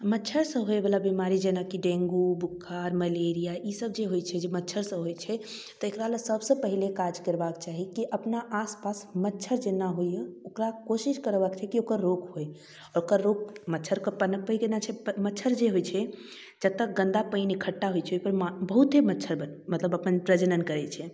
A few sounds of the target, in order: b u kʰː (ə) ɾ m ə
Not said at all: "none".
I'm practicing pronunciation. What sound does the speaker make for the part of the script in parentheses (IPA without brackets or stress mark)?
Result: a